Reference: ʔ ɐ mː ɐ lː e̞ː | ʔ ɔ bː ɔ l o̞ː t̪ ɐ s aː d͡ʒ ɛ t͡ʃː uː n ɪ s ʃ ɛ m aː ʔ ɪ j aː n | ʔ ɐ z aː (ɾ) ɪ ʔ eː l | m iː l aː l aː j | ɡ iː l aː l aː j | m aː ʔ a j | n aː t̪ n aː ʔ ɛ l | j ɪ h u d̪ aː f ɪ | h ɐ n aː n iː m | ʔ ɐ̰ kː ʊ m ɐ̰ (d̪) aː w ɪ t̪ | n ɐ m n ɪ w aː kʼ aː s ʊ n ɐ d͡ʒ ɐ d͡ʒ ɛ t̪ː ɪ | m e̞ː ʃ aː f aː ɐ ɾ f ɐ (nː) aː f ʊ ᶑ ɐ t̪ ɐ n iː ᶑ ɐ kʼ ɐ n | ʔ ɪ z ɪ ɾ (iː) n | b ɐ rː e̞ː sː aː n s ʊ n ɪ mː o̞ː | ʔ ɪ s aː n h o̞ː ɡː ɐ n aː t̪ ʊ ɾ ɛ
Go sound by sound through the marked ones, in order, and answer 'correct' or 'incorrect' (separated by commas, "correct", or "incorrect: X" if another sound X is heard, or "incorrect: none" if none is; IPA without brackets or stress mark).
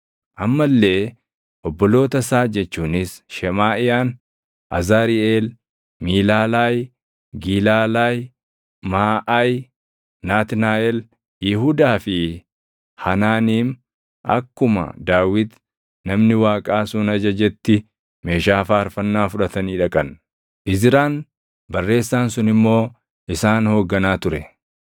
correct, correct, correct, incorrect: aː